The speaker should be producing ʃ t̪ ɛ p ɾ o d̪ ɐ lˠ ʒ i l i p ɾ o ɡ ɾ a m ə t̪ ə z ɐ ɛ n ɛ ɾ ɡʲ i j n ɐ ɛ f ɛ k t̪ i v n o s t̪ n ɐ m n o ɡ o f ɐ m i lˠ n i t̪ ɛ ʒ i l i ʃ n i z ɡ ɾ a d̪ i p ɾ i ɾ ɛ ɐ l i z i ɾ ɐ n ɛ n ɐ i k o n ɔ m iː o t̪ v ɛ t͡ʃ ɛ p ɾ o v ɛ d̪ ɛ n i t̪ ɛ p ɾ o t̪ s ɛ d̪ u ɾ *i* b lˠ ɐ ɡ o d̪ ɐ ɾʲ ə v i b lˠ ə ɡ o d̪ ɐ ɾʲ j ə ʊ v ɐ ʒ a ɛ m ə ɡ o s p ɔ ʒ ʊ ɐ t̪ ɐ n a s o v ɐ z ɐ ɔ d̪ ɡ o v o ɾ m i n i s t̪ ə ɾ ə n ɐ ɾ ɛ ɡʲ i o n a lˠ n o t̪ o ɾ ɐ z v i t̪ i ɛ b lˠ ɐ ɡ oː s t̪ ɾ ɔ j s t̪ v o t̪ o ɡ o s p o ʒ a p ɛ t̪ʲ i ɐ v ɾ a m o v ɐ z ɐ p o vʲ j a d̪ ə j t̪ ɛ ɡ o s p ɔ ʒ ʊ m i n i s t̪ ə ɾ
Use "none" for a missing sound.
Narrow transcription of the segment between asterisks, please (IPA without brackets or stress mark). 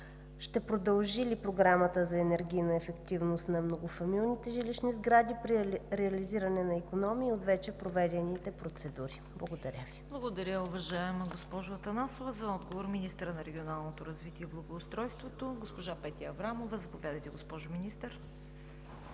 i